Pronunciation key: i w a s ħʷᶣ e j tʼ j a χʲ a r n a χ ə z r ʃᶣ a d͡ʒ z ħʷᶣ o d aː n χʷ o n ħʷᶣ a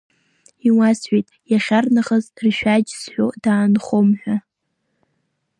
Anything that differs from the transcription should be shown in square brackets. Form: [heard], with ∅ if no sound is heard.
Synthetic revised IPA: i w a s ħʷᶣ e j tʼ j a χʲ a r n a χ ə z r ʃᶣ a d͡ʒ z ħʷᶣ o d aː n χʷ o [m] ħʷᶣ a